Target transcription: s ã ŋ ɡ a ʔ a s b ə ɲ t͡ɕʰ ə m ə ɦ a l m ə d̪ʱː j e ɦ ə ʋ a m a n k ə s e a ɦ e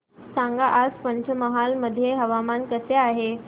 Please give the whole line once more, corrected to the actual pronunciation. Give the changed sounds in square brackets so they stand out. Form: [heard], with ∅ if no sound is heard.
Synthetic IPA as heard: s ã ŋ ɡ a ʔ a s [p] ə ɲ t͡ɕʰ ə m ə ɦ a l m ə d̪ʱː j e ɦ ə ʋ a m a n k ə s e a ɦ e